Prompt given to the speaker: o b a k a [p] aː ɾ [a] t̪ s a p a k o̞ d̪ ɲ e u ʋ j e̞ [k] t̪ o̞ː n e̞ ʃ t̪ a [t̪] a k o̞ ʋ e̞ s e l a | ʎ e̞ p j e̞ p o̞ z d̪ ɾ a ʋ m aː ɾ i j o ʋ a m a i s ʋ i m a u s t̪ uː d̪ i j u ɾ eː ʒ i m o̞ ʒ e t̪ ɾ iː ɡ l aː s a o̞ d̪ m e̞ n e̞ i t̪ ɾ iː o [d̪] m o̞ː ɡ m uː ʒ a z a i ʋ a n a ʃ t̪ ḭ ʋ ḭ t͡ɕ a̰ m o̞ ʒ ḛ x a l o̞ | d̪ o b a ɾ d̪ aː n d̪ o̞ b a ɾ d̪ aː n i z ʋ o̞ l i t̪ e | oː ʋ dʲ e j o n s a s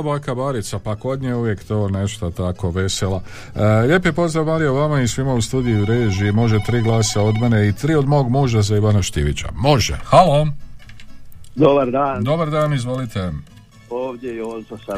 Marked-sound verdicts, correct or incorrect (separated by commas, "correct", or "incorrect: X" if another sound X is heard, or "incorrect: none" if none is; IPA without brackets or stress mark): incorrect: b, incorrect: i, correct, correct, correct